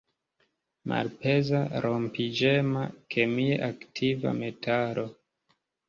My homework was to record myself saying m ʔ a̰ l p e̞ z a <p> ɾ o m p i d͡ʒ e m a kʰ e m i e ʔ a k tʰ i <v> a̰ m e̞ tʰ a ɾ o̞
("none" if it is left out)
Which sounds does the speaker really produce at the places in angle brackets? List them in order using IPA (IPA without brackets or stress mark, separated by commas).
none, v